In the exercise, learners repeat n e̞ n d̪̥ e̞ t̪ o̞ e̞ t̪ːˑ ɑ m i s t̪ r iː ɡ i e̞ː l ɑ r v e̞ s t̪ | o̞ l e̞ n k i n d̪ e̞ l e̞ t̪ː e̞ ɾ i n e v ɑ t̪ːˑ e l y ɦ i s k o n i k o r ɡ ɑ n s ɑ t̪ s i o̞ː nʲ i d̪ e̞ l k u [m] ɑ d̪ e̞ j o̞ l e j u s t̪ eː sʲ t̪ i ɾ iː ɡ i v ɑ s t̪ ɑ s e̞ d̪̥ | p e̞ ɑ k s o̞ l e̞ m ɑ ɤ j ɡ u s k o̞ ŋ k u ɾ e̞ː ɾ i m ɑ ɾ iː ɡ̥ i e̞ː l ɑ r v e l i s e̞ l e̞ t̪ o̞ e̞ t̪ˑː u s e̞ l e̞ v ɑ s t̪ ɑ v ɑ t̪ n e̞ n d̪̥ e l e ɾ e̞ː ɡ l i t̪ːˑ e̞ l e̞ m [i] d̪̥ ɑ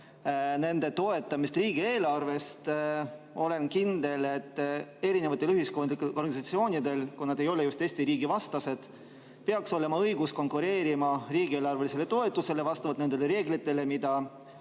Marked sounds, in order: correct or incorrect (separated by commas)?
incorrect, correct